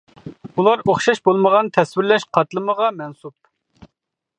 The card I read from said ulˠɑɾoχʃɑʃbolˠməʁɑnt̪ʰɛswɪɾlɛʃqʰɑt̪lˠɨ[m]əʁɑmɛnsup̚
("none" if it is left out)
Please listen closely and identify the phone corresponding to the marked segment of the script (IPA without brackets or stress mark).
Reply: m